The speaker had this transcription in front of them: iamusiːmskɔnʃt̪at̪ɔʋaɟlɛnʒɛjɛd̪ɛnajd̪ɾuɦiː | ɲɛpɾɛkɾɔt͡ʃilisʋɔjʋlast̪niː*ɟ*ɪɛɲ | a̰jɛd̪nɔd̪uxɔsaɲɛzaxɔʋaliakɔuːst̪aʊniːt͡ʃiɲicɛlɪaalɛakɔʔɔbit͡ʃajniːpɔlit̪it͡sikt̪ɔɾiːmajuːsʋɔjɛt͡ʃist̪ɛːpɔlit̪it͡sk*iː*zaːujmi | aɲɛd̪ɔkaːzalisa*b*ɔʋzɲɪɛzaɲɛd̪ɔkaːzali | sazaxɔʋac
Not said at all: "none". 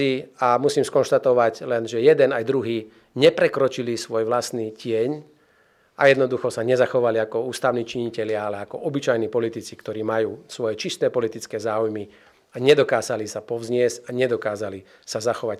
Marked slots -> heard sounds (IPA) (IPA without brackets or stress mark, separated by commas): c, ɛː, p